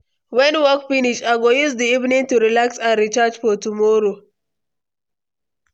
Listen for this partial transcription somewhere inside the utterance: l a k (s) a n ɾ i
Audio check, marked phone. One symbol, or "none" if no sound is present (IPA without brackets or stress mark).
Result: s